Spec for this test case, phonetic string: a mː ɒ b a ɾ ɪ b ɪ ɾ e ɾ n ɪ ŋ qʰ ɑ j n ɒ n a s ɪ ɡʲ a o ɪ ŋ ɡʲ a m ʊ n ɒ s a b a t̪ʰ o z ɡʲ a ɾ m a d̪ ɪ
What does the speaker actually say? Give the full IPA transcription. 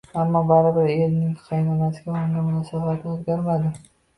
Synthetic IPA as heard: a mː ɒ b a ɾ ɪ b ɪ ɾ e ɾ n ɪ ŋ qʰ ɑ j n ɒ n a s ɪ ɡʲ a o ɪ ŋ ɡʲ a m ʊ n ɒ s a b a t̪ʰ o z ɡʲ a ɾ m a d̪ ɪ